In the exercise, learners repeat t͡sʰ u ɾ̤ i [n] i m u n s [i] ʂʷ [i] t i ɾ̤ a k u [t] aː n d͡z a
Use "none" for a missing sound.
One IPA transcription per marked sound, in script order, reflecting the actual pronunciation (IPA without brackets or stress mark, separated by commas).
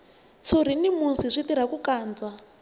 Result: n, i, i, k